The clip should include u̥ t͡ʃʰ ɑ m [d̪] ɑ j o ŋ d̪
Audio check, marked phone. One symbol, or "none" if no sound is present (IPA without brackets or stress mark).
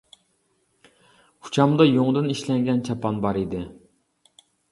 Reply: d̪